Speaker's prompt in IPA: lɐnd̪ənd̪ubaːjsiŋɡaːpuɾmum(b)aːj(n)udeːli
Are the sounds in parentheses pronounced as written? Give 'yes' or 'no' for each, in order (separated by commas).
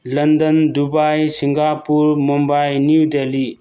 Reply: yes, yes